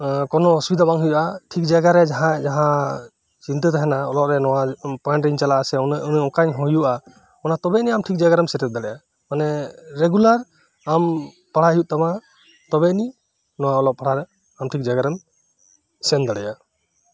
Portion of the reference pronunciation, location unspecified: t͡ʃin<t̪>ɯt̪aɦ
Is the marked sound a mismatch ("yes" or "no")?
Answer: no